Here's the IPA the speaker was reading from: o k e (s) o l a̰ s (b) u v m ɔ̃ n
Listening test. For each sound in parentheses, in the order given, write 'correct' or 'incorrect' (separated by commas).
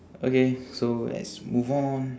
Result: correct, incorrect